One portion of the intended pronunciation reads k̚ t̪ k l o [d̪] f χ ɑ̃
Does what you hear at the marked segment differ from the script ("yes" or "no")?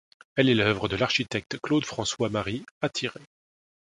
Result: no